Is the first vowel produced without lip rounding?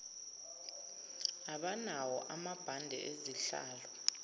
yes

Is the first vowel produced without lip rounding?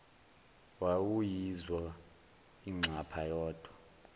yes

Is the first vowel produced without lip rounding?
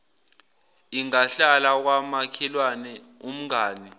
yes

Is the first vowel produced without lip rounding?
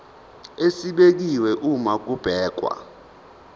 yes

